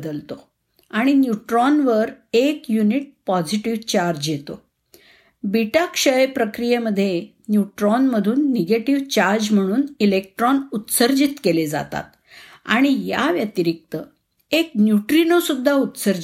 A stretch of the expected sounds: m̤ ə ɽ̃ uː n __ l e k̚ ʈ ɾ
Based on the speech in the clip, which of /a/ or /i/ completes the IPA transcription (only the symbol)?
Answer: i